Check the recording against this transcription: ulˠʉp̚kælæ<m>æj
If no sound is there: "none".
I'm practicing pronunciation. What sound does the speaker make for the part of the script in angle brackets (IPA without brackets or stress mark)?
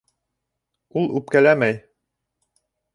m